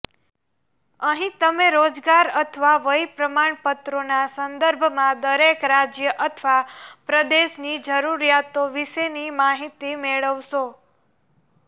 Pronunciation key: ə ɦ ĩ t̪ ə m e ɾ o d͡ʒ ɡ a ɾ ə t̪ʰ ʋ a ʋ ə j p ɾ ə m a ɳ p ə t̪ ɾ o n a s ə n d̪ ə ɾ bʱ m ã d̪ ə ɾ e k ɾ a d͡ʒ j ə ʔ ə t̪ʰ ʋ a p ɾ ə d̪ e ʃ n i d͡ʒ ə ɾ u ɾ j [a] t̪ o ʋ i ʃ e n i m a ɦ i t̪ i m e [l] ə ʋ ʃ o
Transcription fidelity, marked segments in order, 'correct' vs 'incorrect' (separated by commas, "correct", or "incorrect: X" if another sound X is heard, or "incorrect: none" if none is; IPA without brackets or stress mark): correct, incorrect: ɭ